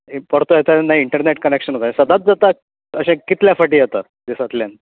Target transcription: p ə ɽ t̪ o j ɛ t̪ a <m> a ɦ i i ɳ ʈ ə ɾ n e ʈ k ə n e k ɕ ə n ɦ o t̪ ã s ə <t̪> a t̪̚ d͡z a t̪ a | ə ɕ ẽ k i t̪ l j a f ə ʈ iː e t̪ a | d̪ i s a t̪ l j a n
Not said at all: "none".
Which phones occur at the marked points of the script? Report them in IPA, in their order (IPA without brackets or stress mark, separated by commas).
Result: n, d̪